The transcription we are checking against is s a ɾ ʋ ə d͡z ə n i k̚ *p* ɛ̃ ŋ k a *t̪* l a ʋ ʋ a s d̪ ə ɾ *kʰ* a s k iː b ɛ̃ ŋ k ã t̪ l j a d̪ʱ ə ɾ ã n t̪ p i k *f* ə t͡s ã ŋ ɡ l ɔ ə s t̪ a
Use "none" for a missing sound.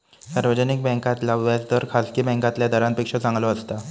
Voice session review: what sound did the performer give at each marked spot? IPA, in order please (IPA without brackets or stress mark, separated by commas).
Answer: b, t̪, kʰ, ʂ